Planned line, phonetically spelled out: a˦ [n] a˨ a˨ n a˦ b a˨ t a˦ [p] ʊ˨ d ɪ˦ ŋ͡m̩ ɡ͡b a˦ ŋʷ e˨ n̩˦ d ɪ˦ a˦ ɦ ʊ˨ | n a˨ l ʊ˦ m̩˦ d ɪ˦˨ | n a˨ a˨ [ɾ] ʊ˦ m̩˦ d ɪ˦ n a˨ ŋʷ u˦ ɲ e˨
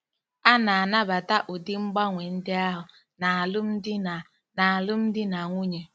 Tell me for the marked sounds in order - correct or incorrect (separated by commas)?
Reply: correct, incorrect, incorrect